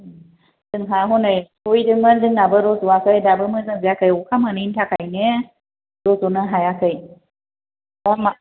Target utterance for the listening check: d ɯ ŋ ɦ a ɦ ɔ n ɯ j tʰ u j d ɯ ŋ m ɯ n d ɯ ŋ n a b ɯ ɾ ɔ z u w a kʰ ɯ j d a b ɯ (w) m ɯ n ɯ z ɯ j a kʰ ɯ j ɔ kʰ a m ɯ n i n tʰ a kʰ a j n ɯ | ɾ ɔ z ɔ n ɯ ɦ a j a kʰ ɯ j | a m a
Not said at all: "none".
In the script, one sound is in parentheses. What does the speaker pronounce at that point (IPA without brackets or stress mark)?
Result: none